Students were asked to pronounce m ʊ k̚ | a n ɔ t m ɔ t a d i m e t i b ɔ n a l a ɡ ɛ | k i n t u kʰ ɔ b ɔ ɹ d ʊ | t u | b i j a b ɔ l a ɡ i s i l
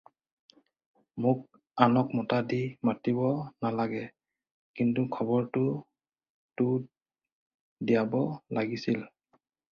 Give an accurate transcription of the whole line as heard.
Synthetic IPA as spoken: m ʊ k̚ | a n ɔ k m ɔ t a d i m a t i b ɔ n a l a ɡ ɛ | k i n t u kʰ ɔ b ɔ ɹ t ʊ | t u | d i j a b ɔ l a ɡ i s i l